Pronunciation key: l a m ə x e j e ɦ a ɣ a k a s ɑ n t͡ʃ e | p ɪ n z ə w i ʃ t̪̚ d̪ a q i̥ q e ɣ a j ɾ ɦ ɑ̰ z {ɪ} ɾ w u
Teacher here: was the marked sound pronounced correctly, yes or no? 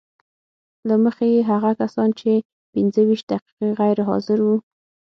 yes